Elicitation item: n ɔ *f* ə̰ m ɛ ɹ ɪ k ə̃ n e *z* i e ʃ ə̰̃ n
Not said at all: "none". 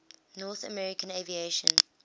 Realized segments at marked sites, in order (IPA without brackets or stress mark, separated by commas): θ, v